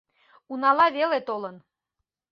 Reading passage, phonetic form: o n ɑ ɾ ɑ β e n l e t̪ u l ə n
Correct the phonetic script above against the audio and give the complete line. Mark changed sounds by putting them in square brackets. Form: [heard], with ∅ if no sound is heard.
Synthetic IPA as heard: [u] n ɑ [l] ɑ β e [∅] l e t̪ [o] l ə n